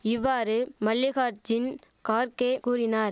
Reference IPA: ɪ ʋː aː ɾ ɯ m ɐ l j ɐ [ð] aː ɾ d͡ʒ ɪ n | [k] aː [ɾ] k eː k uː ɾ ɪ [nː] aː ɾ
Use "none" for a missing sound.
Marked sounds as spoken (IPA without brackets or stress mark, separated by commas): ɣ, k, ɾ, n